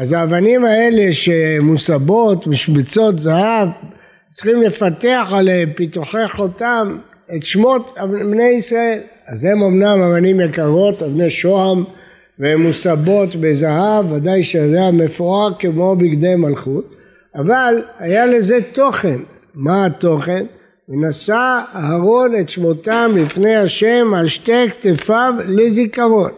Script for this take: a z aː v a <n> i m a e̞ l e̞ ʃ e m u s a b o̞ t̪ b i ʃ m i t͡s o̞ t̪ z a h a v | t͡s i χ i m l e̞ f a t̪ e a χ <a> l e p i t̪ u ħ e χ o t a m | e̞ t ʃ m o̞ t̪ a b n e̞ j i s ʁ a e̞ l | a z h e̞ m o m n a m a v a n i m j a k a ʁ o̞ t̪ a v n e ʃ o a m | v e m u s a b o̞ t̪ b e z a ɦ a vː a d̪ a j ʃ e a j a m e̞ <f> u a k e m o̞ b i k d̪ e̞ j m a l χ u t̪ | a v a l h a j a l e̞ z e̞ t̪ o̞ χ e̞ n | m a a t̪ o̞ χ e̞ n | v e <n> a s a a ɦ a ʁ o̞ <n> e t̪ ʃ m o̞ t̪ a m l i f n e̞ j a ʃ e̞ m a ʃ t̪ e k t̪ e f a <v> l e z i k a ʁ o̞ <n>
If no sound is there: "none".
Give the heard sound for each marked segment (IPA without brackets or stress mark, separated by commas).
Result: n, a, f, n, n, v, n